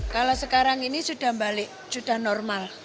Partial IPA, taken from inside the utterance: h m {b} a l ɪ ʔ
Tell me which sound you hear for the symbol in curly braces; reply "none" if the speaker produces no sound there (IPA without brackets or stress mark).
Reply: b